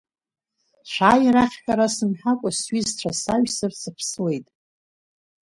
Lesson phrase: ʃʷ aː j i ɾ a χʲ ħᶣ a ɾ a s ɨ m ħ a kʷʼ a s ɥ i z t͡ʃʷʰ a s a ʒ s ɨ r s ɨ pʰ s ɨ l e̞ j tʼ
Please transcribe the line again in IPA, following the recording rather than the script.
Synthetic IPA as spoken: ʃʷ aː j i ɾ a χʲ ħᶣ a ɾ a s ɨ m ħ a kʷʼ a s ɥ i z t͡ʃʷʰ a s a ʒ s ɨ r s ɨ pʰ s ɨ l e̞ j tʼ